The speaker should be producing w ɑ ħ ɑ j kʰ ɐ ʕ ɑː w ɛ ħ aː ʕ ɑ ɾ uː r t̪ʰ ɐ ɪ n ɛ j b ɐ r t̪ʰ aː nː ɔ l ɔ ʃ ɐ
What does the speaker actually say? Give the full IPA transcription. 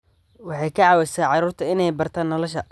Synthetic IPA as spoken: w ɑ ħ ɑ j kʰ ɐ ʕ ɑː w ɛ s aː ʕ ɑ ɾ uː r t̪ʰ ɐ ɪ n ɛ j b ɐ r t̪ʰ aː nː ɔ l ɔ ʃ ɐ